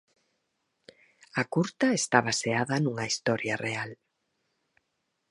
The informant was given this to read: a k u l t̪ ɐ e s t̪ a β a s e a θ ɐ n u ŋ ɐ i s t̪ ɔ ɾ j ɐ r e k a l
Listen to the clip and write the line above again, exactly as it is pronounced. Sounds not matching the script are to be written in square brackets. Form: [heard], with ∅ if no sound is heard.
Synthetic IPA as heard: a k u [ɾ] t̪ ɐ e s t̪ a β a s e a [ð] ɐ n u ŋ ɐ i s t̪ ɔ ɾ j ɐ r e [∅] a l